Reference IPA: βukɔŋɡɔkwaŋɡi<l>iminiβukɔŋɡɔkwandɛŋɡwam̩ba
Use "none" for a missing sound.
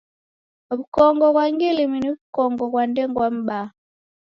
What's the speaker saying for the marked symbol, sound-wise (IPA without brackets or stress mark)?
l